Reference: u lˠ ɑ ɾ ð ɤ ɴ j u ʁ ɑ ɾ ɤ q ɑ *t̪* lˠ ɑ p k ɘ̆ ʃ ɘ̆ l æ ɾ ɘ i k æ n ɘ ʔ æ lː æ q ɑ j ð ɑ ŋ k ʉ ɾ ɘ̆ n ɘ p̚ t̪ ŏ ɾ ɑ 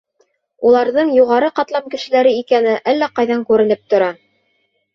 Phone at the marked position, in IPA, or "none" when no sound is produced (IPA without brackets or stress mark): t̪